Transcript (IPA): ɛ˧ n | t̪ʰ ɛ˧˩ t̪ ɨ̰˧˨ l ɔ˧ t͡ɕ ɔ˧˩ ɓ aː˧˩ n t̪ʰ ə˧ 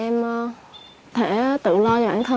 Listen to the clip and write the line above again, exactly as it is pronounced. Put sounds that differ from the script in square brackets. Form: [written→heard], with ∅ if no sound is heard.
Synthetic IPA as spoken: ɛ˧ [n→m] | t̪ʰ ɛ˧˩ t̪ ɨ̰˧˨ l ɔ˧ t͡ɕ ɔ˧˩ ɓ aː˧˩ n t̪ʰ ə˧